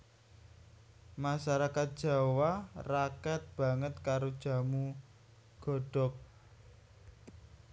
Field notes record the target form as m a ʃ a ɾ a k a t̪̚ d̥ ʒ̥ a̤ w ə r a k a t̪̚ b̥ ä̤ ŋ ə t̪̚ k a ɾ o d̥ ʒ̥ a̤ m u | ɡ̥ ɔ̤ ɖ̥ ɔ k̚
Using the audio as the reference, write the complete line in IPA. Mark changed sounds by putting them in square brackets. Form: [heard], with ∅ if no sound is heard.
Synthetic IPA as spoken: m a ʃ a ɾ a k a t̪̚ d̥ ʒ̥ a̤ w [a] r a k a t̪̚ b̥ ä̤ ŋ ə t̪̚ k a ɾ o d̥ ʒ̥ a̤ m u | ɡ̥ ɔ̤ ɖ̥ ɔ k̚